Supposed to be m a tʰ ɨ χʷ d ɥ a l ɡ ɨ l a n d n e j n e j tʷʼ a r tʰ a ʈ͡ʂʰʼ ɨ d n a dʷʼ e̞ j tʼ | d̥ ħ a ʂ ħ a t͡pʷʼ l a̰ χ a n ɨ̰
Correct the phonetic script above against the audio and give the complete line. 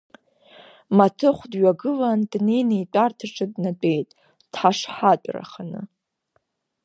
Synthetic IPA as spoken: m a tʰ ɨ χʷ d ɥ a ɡ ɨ l a n d n e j n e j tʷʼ a r tʰ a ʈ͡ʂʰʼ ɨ d n a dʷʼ e̞ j tʼ | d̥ ħ a ʂ ħ a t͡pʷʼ r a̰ χ a n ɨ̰